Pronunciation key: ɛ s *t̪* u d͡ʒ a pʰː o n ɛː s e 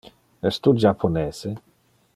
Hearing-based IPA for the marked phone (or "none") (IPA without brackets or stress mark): t̪